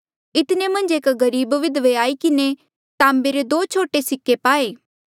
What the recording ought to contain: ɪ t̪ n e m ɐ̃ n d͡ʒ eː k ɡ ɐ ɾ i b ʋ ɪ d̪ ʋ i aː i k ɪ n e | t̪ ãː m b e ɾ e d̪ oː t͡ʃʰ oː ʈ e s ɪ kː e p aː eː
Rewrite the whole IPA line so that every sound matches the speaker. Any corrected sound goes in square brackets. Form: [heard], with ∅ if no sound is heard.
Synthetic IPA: ɪ t̪ n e m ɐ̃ n d͡ʒ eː k ɡ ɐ ɾ [iː] b ʋ ɪ d̪ ʋ [e] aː i k ɪ n e | t̪ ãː m b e ɾ e d̪ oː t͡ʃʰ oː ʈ e s ɪ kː e p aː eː